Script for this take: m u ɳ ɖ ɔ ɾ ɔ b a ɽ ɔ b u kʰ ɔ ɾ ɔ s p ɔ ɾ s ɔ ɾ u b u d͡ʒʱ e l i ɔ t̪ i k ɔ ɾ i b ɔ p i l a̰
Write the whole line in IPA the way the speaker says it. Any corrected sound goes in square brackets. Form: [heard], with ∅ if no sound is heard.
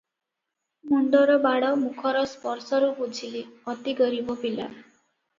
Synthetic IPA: m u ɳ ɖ ɔ ɾ ɔ b a ɽ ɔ [m] u kʰ ɔ ɾ ɔ s p ɔ ɾ s ɔ ɾ u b u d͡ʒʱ [i] l i ɔ t̪ i [ɡ] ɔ ɾ i b ɔ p i l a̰